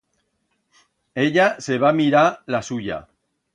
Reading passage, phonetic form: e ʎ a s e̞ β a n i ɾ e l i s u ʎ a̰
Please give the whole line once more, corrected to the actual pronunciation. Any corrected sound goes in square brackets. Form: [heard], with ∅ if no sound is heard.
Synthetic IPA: e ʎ a s e̞ β a [m] i ɾ [a] l [a] s u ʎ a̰